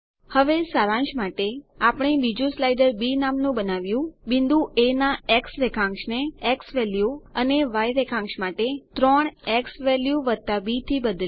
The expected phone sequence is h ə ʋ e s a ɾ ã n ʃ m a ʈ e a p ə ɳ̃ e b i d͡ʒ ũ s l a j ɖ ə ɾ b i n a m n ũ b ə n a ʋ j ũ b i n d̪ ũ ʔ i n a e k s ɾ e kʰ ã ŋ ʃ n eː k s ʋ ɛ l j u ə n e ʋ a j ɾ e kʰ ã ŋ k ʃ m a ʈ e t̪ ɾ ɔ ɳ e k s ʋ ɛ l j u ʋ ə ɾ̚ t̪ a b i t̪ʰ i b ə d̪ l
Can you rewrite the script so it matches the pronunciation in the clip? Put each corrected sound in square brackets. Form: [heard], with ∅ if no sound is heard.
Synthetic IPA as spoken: h ə ʋ e s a ɾ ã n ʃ m a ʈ e a p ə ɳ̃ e b i d͡ʒ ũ s l a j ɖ ə ɾ b i n a m n ũ b ə n a ʋ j ũ b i n d̪ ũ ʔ [e] n a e k s ɾ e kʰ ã ŋ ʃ n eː k s ʋ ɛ l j u ə n e ʋ a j ɾ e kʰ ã ŋ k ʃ m a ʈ e t̪ ɾ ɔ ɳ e k s ʋ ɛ l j u ʋ ə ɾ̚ t̪ a b i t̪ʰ i b ə d̪ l